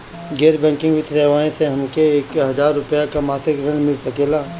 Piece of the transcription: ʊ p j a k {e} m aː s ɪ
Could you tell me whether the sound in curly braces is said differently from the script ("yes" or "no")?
yes